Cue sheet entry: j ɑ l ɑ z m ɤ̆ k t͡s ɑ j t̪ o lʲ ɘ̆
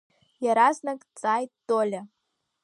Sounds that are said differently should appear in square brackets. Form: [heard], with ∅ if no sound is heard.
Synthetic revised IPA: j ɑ [ɾ] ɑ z [n] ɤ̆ k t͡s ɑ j t̪ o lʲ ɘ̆